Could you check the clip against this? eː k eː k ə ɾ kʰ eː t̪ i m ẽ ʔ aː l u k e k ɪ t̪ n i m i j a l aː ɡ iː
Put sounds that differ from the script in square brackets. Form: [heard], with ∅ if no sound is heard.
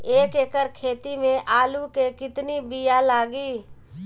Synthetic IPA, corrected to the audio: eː k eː k ə ɾ kʰ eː t̪ i m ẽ ʔ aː l u k e k ɪ t̪ n i [b] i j a l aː ɡ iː